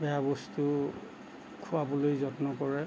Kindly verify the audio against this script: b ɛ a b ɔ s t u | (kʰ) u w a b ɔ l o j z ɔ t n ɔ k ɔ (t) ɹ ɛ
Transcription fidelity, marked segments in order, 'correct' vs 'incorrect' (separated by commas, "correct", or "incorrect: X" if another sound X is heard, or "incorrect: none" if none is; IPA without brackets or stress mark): correct, incorrect: none